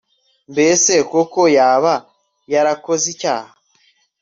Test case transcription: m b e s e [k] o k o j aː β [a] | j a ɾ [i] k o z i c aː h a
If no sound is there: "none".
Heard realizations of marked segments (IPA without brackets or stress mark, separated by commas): k, a, a